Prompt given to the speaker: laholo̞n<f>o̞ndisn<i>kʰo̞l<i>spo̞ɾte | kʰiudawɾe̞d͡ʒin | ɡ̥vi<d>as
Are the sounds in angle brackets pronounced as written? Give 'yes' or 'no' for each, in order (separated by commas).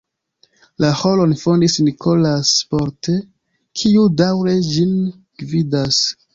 yes, yes, no, yes